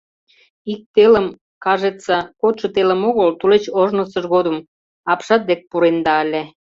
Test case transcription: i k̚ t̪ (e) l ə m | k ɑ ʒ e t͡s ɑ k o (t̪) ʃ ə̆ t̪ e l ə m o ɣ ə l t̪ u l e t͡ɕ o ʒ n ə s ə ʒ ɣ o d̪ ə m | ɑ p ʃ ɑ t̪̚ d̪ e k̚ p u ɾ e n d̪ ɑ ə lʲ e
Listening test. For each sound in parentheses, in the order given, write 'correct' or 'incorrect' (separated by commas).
correct, correct